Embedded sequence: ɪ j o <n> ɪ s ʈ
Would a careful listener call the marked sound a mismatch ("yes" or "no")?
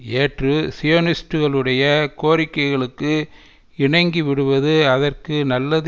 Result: no